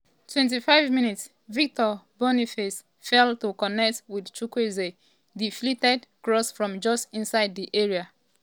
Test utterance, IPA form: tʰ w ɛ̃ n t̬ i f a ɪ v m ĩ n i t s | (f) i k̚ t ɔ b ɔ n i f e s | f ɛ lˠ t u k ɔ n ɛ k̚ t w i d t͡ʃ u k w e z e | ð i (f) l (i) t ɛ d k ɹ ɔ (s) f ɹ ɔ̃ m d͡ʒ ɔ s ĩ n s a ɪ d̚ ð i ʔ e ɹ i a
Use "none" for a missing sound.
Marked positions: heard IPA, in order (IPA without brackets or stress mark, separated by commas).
v, f, i, s